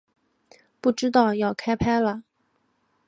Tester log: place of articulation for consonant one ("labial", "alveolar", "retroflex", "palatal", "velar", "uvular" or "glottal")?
labial